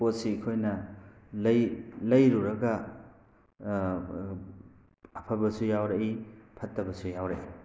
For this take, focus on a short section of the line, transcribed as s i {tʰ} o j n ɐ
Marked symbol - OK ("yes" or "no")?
no